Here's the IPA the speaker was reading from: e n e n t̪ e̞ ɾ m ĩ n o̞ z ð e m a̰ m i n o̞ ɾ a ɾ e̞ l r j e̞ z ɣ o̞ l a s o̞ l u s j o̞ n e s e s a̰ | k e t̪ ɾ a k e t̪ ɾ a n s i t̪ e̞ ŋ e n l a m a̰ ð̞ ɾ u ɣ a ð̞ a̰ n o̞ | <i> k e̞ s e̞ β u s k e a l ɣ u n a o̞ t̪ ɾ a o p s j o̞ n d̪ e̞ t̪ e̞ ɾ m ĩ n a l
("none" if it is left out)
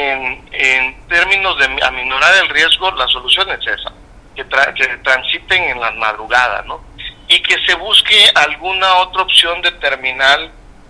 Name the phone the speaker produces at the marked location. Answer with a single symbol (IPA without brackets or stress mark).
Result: i